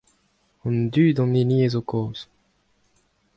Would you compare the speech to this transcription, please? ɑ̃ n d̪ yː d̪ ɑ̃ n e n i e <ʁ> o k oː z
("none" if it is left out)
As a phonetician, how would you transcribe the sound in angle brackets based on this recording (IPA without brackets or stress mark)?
z